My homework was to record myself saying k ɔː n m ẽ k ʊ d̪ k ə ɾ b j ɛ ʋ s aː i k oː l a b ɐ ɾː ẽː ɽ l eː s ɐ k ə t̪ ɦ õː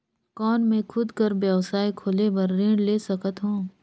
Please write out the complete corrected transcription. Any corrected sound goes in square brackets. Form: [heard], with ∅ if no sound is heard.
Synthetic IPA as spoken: k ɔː n m ẽ [kʰ] ʊ d̪ k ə ɾ b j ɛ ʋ s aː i [kʰ] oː l [e] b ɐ ɾː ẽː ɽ l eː s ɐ k ə t̪ ɦ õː